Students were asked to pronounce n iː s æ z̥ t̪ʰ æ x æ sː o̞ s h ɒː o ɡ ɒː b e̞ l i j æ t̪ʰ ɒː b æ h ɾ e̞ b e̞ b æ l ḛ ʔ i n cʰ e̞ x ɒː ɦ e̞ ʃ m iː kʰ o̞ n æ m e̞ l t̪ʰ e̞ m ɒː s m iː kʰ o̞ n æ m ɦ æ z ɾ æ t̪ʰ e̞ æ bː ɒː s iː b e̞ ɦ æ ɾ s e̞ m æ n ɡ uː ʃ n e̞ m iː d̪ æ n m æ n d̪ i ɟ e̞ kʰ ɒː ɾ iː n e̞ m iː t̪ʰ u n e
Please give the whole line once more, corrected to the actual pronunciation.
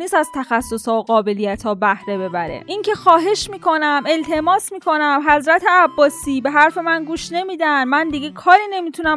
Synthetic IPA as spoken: n iː s æ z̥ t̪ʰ æ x æ sː o̞ s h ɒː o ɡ ɒː b e̞ l i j æ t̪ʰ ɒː b æ h ɾ e̞ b e̞ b æ ɾ ḛ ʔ i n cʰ e̞ x ɒː ɦ e̞ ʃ m iː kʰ o̞ n æ m e̞ l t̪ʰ e̞ m ɒː s m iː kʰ o̞ n æ m ɦ æ z ɾ æ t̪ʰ e̞ æ bː ɒː s iː b e̞ ɦ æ ɾ f e̞ m æ n ɡ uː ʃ n e̞ m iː d̪ æ n m æ n d̪ i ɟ e̞ kʰ ɒː ɾ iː n e̞ m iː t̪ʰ u n æ